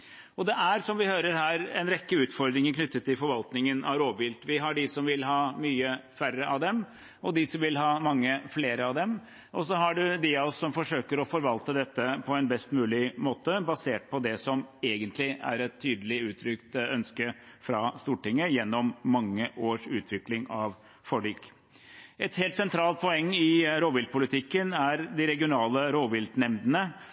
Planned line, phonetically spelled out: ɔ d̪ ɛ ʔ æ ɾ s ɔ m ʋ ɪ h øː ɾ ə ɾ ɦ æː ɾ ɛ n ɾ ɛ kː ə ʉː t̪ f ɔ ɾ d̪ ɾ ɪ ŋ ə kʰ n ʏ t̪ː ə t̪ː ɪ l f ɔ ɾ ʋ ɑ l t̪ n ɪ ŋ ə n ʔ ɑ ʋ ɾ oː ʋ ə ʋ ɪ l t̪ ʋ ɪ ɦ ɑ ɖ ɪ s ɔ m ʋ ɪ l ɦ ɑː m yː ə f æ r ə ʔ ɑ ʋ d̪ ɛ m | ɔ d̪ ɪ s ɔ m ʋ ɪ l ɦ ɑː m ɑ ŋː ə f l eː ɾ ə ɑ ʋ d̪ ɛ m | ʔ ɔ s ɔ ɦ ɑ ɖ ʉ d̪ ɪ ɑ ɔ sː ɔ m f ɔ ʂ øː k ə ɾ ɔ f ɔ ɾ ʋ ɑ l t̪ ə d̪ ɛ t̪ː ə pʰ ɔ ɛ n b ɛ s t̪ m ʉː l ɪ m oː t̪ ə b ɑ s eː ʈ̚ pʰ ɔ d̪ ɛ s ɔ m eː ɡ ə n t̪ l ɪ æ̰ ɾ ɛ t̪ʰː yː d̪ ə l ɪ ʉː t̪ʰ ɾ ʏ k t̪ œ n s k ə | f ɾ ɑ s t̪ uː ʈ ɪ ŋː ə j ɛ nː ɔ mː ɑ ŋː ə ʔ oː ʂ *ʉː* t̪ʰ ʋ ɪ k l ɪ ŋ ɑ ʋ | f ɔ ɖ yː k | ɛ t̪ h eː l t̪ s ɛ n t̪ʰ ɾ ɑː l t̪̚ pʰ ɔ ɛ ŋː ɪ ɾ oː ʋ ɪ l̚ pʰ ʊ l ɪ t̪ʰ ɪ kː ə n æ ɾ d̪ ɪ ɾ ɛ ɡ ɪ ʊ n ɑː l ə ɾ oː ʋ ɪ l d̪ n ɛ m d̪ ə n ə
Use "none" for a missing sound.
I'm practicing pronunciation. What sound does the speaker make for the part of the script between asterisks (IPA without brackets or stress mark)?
ʉː